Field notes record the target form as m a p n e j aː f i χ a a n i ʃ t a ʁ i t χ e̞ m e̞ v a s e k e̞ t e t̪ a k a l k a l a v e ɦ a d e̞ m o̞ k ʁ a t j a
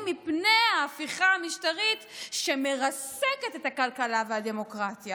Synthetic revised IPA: m i p n e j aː f i χ a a m i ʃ t a ʁ i t ʃ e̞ m e̞ ʁ a s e k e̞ t e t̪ a k a l k a l a v e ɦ a d e̞ m o̞ k ʁ a t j a